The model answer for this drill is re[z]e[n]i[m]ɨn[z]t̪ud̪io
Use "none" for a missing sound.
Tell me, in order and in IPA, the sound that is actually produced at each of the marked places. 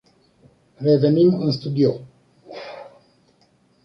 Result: v, n, m, s

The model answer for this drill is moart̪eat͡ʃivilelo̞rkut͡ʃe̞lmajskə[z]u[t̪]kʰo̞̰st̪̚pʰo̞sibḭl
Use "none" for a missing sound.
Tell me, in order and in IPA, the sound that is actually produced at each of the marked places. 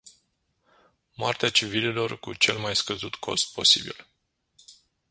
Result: z, t̪

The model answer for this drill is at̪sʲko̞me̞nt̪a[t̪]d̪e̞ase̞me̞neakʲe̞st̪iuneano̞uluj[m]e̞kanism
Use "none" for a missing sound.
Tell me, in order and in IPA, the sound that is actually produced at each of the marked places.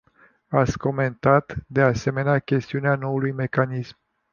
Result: t̪, m

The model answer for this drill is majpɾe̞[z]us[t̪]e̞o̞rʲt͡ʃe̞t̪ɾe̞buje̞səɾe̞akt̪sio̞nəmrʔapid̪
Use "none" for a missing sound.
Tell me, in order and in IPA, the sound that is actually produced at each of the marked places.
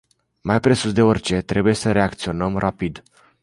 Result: s, d̪

